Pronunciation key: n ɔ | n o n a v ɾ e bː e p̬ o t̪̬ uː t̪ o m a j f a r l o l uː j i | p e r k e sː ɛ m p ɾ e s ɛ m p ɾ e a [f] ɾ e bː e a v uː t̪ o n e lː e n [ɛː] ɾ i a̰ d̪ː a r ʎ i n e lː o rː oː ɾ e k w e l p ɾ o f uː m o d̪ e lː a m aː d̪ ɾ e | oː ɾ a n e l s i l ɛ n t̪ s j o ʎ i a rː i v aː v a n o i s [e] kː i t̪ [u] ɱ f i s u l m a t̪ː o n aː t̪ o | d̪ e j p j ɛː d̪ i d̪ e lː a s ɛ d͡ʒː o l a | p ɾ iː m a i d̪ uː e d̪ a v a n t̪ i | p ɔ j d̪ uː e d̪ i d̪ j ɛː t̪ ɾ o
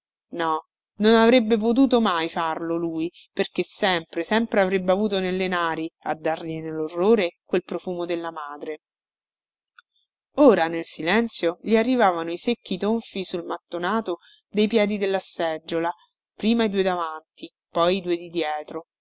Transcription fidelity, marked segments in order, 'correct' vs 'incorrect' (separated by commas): incorrect, incorrect, correct, incorrect